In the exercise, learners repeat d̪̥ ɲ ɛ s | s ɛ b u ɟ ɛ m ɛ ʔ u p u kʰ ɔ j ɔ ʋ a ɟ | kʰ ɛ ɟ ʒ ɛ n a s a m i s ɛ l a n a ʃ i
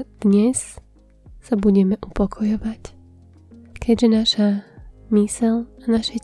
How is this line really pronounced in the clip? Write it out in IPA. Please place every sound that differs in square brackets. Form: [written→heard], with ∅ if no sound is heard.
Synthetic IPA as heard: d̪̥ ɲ ɛ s | s [ɛ→a] b u ɟ ɛ m ɛ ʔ u p [u→ɔ] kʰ ɔ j ɔ ʋ a [ɟ→c] | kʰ ɛ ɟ ʒ ɛ n a [s→ʃ] a m i s ɛ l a n a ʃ [i→ɛ]